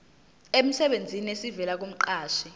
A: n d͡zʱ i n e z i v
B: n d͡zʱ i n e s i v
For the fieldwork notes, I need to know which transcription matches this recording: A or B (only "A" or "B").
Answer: B